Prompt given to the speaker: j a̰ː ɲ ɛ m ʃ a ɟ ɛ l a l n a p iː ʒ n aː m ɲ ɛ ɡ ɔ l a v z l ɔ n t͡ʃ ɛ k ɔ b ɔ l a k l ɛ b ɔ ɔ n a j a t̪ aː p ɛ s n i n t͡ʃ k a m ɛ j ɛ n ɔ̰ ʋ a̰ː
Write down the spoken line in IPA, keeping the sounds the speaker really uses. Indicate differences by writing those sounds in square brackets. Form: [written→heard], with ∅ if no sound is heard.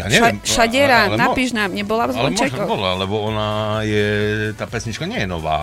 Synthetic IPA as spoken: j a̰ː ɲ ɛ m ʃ a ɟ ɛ [l→ɾ] a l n a p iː ʒ n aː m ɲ ɛ [ɡ→b] ɔ l a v z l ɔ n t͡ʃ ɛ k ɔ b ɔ l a [k→∅] l ɛ b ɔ ɔ n a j [a→ɛ] t̪ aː p ɛ s [n→ɲ] i [n→∅] t͡ʃ k a [m→ɲ] ɛ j ɛ n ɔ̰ ʋ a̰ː